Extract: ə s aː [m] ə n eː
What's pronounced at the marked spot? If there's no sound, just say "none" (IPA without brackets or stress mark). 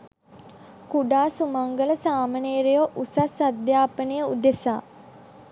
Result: m